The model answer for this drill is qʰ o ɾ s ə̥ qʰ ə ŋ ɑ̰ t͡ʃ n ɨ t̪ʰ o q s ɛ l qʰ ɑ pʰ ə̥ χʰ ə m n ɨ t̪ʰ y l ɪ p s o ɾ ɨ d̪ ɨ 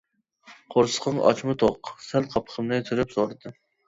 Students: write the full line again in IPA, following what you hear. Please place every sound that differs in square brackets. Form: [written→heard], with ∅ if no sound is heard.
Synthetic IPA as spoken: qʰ o ɾ s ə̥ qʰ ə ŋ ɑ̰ t͡ʃ [n→m] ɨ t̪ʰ o q s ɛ l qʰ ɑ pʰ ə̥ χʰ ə m n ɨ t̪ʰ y [l→ɾ] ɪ p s o ɾ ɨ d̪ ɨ